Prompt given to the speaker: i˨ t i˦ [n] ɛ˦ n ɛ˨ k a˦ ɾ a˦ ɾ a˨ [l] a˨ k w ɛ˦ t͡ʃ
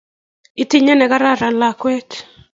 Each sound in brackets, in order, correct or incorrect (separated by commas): incorrect, correct